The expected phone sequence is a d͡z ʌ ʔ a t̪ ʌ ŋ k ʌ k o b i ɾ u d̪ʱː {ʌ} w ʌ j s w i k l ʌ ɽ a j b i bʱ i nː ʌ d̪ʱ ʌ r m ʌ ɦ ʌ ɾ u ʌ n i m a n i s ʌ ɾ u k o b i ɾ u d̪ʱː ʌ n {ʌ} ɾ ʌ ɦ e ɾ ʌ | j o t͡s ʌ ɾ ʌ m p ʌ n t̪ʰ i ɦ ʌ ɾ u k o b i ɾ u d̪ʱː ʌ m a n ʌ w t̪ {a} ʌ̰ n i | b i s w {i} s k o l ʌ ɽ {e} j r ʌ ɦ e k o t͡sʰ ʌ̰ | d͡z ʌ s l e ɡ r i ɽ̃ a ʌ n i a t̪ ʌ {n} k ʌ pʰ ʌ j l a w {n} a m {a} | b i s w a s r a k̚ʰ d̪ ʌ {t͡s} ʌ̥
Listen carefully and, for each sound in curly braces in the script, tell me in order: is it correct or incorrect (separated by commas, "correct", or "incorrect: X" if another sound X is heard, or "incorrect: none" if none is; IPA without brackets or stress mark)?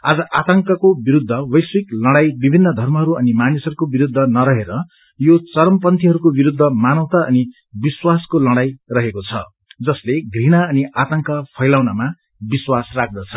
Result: correct, correct, correct, incorrect: a, incorrect: a, incorrect: ŋ, correct, correct, incorrect: t͡sʰ